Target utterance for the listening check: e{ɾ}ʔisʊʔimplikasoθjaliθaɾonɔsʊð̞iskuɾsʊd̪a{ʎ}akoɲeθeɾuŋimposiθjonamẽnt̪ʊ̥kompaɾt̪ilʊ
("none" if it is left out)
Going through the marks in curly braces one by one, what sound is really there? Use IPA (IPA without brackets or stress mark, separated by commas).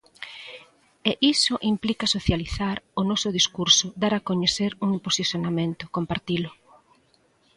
none, ɾ